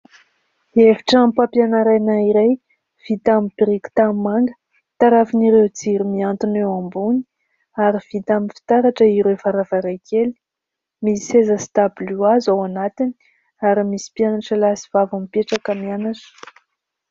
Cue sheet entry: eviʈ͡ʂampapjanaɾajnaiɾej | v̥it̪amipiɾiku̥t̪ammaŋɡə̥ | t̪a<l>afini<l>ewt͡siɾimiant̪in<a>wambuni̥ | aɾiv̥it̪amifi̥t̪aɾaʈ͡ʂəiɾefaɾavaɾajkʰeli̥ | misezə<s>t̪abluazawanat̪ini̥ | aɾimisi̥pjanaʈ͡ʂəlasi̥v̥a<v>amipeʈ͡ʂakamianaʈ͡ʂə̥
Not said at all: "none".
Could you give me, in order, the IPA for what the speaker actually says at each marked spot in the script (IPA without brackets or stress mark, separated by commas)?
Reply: ɾ, ɾ, e, s, v